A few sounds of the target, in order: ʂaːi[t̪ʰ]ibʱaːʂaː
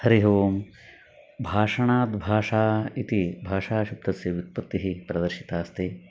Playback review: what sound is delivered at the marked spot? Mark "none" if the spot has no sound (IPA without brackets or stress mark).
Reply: t̪